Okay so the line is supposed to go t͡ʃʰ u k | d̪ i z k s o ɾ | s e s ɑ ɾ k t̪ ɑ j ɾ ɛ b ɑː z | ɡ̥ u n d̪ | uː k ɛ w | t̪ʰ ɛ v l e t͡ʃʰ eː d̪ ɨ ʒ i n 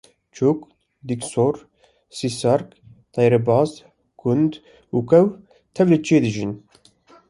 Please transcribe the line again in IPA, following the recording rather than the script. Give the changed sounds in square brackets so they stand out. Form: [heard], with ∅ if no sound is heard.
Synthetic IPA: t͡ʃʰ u k | d̪ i [∅] k s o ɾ | s [i] s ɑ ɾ k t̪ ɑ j ɾ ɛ b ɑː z | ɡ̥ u n d̪ | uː k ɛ w | t̪ʰ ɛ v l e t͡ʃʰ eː d̪ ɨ ʒ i n